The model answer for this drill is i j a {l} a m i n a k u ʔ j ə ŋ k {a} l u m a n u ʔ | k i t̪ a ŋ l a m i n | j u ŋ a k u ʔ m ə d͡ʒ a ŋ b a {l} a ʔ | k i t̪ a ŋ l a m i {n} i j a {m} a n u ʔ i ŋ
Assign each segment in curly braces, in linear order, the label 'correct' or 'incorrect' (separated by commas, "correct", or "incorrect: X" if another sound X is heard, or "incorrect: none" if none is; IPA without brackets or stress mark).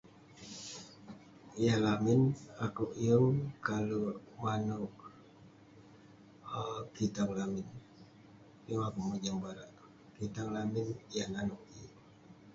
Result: correct, correct, incorrect: ɾ, correct, incorrect: n